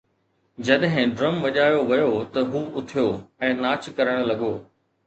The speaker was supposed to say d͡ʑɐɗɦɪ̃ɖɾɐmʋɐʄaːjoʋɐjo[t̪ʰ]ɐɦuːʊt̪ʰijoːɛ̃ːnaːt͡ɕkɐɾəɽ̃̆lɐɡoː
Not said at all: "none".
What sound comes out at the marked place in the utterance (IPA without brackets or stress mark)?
t̪